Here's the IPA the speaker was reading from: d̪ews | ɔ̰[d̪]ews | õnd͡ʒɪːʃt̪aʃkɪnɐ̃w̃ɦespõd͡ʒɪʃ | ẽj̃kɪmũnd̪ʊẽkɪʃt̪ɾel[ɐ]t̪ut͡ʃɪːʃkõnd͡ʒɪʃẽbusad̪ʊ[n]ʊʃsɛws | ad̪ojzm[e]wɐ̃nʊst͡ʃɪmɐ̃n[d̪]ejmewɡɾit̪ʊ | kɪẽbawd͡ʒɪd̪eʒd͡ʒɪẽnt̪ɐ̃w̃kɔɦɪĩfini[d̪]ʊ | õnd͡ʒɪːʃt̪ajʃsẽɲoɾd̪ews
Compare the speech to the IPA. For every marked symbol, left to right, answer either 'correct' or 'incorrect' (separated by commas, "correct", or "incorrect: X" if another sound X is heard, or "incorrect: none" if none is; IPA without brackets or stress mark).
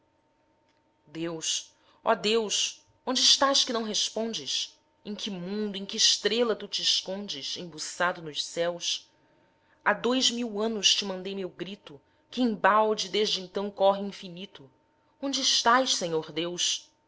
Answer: correct, correct, correct, incorrect: i, correct, incorrect: t̪